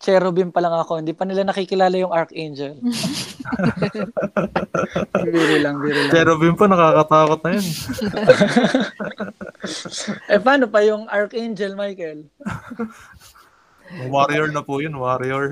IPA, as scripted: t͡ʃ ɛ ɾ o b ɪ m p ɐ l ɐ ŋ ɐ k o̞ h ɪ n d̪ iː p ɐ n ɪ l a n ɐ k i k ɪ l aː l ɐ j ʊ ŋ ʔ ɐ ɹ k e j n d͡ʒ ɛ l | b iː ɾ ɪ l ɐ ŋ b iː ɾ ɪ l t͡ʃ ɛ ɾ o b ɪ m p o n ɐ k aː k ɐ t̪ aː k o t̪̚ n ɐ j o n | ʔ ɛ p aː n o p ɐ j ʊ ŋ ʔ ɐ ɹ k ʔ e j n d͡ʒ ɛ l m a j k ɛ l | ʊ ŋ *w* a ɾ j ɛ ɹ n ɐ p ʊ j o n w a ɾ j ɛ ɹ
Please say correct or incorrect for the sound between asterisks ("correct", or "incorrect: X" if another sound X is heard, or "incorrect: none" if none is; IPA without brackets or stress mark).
correct